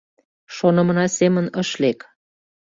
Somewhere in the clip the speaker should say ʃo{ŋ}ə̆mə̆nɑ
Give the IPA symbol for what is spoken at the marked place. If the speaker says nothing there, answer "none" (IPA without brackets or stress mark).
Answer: n